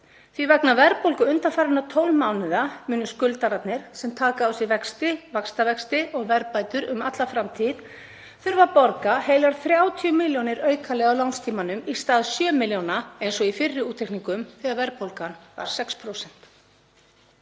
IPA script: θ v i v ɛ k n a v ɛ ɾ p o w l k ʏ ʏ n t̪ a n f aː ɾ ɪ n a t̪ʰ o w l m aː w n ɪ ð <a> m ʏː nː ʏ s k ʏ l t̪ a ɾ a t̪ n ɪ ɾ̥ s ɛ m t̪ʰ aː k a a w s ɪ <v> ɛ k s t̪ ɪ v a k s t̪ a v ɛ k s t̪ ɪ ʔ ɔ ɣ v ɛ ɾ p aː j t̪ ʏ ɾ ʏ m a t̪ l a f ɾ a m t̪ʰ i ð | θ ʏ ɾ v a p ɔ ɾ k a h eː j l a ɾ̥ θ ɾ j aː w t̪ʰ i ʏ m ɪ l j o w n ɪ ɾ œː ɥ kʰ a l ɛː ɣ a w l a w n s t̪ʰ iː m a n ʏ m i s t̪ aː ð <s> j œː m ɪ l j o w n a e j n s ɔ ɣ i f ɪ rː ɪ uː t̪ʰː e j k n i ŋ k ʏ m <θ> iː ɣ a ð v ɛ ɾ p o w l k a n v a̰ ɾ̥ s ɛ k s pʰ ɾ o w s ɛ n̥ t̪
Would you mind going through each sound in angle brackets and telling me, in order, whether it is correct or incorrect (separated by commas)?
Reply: correct, correct, correct, correct